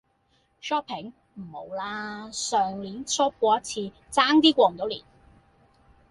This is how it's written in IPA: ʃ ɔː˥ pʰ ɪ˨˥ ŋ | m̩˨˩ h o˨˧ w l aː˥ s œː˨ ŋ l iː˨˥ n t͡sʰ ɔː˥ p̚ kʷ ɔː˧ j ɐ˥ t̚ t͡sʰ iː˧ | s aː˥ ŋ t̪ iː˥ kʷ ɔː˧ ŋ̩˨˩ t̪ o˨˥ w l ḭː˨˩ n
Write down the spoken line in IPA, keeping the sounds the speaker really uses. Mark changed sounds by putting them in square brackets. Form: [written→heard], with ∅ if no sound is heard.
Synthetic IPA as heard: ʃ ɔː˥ pʰ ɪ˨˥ ŋ | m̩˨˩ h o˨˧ w l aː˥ s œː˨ ŋ l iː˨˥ n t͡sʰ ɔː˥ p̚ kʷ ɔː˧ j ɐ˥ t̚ t͡sʰ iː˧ | [s→t͡s] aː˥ ŋ t̪ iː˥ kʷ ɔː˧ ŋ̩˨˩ t̪ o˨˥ w l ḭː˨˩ n